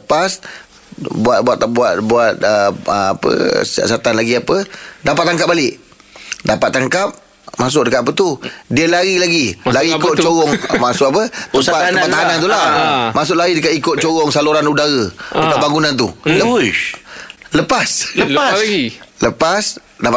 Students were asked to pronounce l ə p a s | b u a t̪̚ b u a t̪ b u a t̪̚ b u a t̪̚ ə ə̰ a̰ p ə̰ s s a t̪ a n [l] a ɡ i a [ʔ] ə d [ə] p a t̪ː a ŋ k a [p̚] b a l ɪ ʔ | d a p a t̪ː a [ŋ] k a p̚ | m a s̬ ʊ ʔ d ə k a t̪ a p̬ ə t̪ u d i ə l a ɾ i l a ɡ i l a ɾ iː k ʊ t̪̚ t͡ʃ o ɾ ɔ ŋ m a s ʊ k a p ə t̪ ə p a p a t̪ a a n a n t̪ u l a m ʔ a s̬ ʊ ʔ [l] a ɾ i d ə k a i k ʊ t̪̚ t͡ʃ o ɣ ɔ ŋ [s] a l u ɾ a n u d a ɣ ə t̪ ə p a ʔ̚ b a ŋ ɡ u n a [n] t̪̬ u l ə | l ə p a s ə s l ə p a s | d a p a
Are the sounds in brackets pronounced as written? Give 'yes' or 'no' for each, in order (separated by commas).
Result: yes, no, no, yes, yes, yes, yes, yes